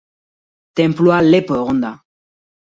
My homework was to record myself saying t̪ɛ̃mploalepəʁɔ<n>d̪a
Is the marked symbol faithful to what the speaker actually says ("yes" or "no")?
yes